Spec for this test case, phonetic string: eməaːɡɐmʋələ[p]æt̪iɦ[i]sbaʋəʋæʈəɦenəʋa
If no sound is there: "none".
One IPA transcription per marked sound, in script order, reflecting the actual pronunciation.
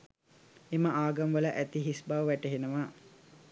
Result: ʔ, i

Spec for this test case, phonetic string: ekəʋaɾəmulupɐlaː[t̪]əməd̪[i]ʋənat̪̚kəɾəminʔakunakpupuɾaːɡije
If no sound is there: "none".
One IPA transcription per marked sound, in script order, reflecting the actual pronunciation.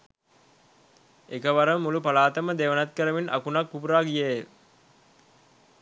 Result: t̪, e

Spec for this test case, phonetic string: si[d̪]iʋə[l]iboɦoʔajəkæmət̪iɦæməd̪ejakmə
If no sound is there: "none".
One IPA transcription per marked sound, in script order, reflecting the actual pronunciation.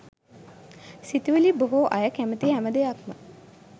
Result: t̪, l

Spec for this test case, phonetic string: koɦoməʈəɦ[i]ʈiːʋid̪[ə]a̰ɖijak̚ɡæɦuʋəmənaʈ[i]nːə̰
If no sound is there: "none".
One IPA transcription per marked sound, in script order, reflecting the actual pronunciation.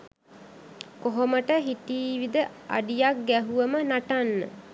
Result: i, ə, a

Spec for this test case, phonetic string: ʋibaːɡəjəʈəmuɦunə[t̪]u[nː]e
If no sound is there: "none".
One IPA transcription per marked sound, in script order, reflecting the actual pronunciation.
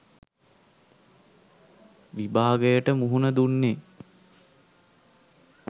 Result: d̪, nː

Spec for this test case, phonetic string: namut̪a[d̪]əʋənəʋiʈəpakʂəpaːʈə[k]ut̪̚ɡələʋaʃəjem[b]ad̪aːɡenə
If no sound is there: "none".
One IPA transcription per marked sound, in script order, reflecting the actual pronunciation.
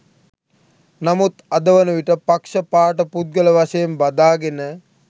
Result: d̪, p, b

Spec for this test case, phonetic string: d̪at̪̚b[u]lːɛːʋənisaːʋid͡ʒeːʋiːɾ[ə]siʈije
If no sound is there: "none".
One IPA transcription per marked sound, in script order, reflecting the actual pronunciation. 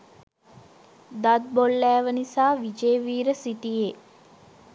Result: o, ə

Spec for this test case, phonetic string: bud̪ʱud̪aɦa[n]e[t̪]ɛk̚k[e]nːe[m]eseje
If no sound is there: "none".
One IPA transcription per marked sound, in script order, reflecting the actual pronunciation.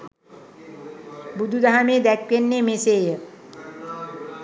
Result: m, d̪, e, m

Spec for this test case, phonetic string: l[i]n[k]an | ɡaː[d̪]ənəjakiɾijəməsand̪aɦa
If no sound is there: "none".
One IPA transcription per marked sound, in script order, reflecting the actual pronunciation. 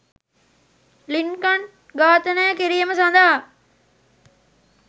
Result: i, k, t̪

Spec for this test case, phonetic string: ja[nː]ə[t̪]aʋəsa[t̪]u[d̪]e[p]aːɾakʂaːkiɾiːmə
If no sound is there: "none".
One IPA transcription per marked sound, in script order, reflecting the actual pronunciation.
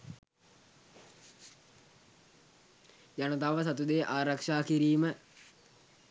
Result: n, t̪, t̪, d̪, ʔ

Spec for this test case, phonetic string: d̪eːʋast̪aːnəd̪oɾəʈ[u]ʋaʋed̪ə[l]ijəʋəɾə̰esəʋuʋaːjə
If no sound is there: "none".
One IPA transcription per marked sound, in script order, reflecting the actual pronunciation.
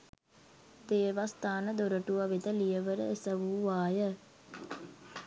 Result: u, l

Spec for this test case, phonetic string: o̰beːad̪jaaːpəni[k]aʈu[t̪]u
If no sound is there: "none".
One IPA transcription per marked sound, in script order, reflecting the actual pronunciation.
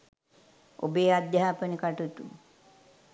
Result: k, t̪

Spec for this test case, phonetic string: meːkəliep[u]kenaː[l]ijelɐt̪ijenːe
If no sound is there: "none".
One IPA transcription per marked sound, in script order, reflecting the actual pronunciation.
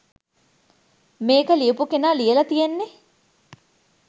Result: u, l

